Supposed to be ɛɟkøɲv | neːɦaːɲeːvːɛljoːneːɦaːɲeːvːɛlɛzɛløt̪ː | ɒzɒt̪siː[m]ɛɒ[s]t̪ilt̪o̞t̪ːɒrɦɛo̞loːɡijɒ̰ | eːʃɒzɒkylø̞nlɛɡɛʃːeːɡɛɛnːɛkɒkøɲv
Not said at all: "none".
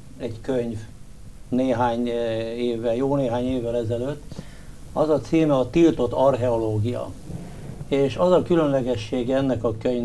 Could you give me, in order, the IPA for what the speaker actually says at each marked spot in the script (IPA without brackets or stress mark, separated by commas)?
m, none